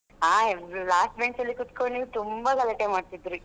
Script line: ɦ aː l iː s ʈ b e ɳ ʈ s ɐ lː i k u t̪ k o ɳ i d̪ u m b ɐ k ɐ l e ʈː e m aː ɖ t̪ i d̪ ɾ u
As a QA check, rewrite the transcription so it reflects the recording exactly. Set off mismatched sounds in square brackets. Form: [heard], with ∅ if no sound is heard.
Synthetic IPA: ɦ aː l [aː] s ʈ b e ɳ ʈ s ɐ lː i k u t̪ k o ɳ i [t̪] u m b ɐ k ɐ l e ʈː e m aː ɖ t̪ i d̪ ɾ u